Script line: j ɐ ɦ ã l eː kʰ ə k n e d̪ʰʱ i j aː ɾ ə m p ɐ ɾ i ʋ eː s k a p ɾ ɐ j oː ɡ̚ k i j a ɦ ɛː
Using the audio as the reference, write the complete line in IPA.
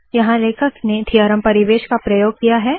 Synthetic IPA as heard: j ɐ ɦ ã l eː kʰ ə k n e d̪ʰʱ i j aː ɾ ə m p ɐ ɾ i ʋ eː ʃ k a p ɾ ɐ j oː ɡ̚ k i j a ɦ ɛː